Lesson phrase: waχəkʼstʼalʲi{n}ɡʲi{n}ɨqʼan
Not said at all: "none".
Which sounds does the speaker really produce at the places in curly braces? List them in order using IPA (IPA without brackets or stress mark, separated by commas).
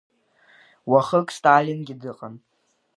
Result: n, d